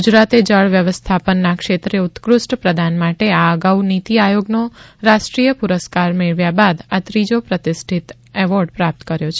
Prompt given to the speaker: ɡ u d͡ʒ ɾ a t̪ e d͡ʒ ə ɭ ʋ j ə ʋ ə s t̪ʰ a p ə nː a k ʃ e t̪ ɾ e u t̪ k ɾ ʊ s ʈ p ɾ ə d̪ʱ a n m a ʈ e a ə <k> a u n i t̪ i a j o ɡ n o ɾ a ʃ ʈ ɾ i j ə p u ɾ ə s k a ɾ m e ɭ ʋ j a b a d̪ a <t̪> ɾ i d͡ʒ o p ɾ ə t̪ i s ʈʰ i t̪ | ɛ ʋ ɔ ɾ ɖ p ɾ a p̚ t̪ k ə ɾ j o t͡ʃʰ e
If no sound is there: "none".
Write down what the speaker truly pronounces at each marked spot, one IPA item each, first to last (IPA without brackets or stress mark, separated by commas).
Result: ɡ, t̪